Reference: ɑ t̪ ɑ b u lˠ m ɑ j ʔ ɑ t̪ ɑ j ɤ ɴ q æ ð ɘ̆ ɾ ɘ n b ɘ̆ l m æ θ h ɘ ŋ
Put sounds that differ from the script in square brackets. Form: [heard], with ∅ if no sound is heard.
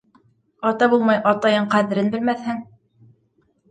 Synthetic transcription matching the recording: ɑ t̪ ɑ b u lˠ m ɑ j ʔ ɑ t̪ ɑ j ɤ ɴ q æ ð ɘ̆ ɾ ɘ n b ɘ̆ l m æ θ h ɘ ŋ